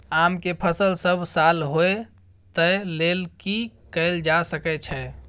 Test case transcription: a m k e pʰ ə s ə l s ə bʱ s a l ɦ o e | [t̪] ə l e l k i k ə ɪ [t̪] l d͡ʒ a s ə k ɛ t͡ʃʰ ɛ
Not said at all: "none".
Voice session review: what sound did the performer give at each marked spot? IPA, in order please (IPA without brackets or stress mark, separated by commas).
t̪, none